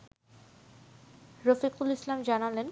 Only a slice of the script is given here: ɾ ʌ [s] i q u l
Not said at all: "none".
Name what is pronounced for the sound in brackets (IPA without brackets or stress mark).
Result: f